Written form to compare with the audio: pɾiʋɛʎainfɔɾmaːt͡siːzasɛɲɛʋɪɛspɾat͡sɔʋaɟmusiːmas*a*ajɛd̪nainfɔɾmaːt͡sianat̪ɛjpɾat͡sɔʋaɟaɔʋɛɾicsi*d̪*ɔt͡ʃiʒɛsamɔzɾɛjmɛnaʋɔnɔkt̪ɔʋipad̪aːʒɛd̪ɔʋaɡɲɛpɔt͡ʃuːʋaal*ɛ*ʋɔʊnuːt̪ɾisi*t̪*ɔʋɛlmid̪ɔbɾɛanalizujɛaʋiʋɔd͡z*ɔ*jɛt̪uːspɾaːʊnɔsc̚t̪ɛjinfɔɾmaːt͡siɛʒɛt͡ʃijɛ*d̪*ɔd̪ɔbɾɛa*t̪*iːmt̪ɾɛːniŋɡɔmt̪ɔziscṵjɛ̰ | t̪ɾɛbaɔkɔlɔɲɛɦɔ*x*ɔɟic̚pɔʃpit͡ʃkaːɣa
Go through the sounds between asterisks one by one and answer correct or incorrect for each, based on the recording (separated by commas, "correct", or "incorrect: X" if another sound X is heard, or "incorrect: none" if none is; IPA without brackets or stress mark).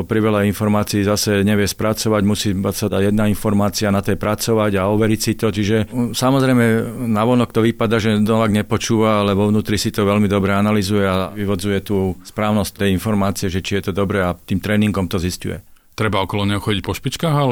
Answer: correct, incorrect: t̪, correct, correct, incorrect: u, incorrect: t̪, correct, correct